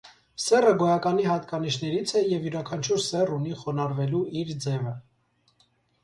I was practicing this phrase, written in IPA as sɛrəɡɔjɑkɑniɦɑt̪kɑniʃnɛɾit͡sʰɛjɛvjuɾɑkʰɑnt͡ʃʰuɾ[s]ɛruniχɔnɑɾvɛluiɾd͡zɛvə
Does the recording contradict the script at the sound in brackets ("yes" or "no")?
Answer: no